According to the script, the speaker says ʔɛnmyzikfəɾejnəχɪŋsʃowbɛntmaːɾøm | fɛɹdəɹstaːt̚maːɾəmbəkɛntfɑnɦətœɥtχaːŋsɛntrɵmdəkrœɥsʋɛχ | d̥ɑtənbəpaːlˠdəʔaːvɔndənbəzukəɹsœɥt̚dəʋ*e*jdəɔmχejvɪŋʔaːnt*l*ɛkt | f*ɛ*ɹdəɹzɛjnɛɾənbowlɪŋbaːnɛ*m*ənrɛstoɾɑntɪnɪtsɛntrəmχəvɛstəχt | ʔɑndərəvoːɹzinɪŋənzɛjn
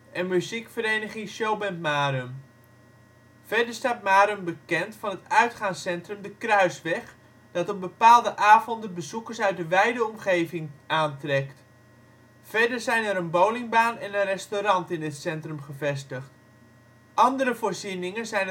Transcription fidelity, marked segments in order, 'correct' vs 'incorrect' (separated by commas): incorrect, incorrect, correct, incorrect